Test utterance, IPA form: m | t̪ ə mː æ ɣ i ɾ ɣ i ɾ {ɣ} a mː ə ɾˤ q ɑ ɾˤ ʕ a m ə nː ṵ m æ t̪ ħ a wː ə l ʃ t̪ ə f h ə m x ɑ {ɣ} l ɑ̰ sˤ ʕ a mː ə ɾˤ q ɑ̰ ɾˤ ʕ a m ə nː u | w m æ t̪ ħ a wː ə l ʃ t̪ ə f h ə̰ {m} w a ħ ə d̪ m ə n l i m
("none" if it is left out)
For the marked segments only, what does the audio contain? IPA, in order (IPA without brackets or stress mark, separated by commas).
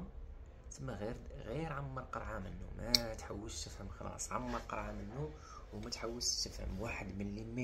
ʕ, none, m